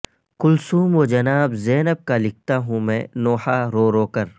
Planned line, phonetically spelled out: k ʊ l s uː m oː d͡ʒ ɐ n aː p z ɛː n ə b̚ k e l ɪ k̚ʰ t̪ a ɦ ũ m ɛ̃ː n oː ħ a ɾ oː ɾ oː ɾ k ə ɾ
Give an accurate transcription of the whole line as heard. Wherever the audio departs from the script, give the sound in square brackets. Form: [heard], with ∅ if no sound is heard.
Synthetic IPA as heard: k ʊ l s uː m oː d͡ʒ ɐ n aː [b] z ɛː n ə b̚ k [a] l ɪ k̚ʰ t̪ a ɦ ũ m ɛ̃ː n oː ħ a ɾ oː ɾ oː [∅] k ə ɾ